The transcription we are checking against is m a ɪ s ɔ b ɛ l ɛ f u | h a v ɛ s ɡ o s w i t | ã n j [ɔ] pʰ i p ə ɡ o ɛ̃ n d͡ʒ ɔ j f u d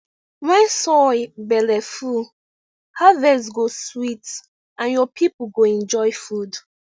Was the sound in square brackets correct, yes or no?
yes